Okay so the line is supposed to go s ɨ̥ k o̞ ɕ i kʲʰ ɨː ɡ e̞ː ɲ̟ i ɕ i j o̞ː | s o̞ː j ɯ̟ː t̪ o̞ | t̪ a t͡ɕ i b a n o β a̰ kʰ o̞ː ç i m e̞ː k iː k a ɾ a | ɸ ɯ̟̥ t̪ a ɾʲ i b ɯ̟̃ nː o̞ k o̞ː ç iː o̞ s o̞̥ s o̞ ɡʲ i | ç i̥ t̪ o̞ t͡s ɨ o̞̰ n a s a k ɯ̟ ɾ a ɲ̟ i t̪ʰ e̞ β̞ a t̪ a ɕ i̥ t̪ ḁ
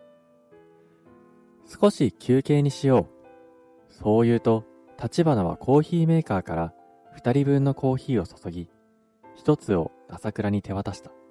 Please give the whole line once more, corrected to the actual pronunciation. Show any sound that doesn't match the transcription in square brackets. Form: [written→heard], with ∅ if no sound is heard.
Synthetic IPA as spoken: s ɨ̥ k o̞ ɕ i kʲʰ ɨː [ɡ→k] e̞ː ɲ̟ i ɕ i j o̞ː | s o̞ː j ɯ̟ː t̪ o̞ | t̪ a t͡ɕ i b a n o β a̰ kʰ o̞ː ç [i→iː] m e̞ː k [iː→aː] k a ɾ a | ɸ ɯ̟̥ t̪ a ɾʲ i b ɯ̟̃ nː o̞ k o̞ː ç iː o̞ s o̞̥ s o̞ ɡʲ i | ç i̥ t̪ o̞ t͡s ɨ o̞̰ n a s a k ɯ̟ ɾ a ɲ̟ i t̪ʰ e̞ β̞ a t̪ a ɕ i̥ t̪ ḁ